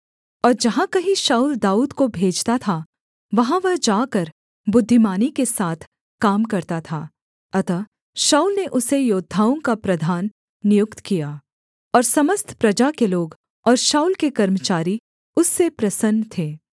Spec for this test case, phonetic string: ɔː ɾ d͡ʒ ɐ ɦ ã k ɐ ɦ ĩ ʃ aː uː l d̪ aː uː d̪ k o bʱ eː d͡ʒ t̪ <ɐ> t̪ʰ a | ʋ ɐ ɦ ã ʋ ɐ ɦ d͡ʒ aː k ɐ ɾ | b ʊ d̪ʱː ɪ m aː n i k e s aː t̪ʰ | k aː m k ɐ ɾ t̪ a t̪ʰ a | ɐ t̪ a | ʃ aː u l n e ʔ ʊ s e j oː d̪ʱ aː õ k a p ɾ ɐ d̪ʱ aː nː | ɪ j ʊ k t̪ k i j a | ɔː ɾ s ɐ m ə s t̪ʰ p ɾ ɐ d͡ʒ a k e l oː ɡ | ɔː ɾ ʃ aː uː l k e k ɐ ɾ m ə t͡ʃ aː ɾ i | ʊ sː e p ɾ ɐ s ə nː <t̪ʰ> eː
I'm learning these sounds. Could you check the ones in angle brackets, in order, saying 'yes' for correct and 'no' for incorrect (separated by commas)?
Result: no, yes